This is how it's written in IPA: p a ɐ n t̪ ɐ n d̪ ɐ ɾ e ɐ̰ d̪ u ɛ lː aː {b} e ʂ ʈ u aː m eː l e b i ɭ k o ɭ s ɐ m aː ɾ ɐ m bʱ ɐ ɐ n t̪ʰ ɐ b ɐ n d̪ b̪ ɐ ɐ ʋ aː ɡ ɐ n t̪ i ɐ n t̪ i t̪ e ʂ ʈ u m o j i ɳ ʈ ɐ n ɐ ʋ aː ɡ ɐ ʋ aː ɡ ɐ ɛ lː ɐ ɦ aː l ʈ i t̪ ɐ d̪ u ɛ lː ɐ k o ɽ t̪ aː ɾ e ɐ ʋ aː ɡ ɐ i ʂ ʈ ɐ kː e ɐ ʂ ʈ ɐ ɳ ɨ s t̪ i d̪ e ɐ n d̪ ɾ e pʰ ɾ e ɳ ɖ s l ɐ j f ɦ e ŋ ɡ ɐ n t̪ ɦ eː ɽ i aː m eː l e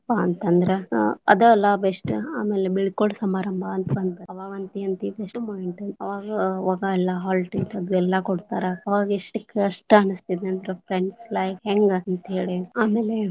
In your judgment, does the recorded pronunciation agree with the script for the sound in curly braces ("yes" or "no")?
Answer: yes